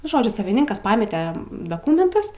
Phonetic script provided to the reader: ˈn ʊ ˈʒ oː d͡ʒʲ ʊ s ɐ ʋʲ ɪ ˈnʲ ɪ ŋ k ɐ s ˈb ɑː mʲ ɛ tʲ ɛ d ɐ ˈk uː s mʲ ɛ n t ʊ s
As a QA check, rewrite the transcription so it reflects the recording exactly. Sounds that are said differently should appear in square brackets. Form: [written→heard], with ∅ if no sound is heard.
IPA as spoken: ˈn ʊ ˈʒ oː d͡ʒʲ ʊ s ɐ ʋʲ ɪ ˈnʲ ɪ ŋ k ɐ s [ˈb→ˈp] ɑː mʲ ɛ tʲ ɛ d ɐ ˈk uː [s→∅] mʲ ɛ n t ʊ s